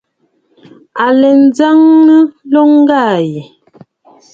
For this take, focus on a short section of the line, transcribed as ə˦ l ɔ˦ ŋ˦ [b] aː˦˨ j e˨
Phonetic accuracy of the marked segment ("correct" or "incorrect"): incorrect